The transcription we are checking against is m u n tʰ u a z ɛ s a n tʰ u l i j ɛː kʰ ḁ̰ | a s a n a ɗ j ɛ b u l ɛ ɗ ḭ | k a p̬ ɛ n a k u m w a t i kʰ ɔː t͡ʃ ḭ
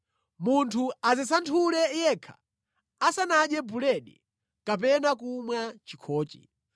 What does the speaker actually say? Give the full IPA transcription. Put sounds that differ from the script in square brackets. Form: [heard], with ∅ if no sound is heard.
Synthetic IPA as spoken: m u n tʰ u a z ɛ s a n tʰ u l [ɛ] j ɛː kʰ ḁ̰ | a s a n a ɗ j ɛ b u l ɛ ɗ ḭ | k a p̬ ɛ n a k u m w a [t͡ʃ] i kʰ ɔː t͡ʃ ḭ

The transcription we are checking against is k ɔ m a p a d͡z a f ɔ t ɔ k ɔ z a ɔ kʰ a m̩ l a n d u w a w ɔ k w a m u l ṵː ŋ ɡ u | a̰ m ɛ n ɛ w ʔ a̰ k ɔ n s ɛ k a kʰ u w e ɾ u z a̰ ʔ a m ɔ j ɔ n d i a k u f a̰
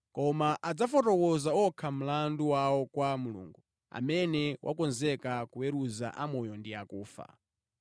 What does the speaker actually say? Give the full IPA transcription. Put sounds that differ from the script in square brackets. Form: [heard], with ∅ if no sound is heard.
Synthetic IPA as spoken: k ɔ m a [ʔ] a d͡z a f ɔ t ɔ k ɔ z a ɔ kʰ a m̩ l a n d u w a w ɔ k w a m u l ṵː ŋ ɡ u | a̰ m ɛ n ɛ w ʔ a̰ k ɔ n [z] ɛ k a [k] u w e ɾ u z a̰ ʔ a m ɔ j ɔ n d i a k [uː] f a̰

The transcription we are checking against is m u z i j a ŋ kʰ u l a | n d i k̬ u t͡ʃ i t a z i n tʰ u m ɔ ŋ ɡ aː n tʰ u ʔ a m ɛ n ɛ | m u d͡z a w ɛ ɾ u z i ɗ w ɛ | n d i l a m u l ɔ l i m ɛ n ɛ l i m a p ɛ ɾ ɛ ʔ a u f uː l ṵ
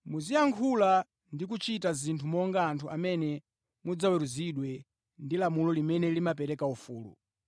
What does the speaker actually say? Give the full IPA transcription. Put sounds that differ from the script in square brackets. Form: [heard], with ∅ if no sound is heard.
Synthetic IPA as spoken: m u z i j a ŋ kʰ u l a | n d i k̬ u t͡ʃ i t a z i n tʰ u m ɔ ŋ ɡ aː n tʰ u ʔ a m ɛ n ɛ | m u d͡z a w ɛ ɾ u z i ɗ w ɛ | n d i l a m u l ɔ l i m ɛ n ɛ l i m a p ɛ ɾ ɛ [k] a u f uː l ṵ

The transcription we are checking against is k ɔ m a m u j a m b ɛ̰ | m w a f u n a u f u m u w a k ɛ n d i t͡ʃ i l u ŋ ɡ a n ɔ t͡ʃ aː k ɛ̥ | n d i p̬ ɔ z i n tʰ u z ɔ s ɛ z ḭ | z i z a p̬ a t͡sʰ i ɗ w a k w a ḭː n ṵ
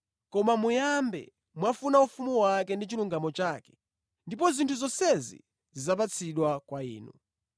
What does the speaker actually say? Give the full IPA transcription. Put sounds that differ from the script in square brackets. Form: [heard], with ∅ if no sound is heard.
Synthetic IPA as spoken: k ɔ m a m u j a m b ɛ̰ | m w a f u n a u f u m u w a k ɛ n d i t͡ʃ i l u ŋ ɡ a [m] ɔ t͡ʃ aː k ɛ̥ | n d i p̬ ɔ z i n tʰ u z ɔ s ɛ z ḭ | z i z a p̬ a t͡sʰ i ɗ w a k w a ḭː n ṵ

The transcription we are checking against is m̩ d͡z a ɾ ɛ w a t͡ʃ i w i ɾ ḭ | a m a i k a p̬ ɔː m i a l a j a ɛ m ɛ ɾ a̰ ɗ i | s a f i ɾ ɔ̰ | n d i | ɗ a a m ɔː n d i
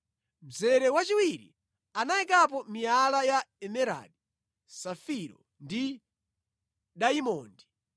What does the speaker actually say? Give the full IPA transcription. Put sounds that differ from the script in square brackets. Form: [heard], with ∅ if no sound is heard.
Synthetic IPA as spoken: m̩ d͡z [ɛ] ɾ ɛ w a t͡ʃ i w i ɾ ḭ | a [n] a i k a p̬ [ɔ] m i a l a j a ɛ m ɛ ɾ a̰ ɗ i | s a f i ɾ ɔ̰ | n d i | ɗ a [i] m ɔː n d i

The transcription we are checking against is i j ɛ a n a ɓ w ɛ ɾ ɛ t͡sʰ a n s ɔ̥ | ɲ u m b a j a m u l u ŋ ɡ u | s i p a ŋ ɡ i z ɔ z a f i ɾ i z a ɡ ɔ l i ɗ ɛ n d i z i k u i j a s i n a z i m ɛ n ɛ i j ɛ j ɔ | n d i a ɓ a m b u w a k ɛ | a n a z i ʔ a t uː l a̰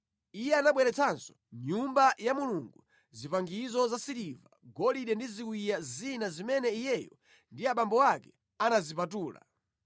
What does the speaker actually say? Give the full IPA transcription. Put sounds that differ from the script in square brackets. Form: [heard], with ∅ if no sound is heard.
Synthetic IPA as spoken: i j ɛ a n a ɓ w ɛ ɾ ɛ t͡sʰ a n s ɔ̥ | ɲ u m b a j a m u l u ŋ ɡ u | [z] i p a ŋ ɡ i z ɔ z a [s] i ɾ i [v] a ɡ ɔ l i ɗ ɛ n d i z i k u i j a [z] i n a z i m ɛ n ɛ i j ɛ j ɔ | n d i a ɓ a m b [ɔ] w a k ɛ | a n a z i [p] a t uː l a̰

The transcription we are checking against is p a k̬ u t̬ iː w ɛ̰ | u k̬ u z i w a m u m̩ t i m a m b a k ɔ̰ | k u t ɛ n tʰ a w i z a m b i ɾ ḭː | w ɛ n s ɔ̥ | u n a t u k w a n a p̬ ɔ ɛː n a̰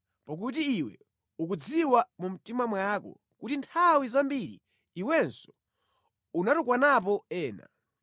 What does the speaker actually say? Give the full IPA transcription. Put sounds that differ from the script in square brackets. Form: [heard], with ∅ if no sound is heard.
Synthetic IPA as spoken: p a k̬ u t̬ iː w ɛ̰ | u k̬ u [d͡z] i w a m u m̩ t i m a m [w] a k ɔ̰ | k u t [i] n tʰ a w i z a m b i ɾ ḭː | w ɛ n s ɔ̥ | u n a t u k w a n a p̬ ɔ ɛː n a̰

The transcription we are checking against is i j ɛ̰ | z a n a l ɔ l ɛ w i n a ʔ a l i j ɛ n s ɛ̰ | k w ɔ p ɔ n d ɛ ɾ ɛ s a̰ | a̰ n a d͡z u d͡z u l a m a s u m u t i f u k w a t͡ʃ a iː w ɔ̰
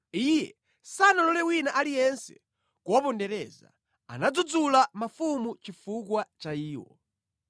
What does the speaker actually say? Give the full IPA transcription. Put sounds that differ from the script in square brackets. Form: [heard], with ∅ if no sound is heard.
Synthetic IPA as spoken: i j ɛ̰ | [s] a n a l ɔ l ɛ w i n a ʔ a l i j ɛ n s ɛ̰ | k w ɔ p ɔ n d ɛ ɾ ɛ [z] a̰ | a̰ n a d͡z u d͡z u l a m a [f] u m u [t͡ʃ] i f u k w a t͡ʃ a iː w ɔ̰

